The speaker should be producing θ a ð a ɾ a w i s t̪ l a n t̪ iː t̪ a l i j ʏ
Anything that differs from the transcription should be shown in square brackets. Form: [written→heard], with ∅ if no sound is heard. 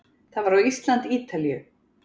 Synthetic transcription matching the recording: θ a [ð→v] a ɾ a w i s t̪ l a n t̪ iː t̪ a l i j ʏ